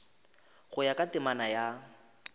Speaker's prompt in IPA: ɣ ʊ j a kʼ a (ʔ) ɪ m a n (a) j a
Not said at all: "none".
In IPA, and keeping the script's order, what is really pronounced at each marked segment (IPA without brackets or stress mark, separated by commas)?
t, a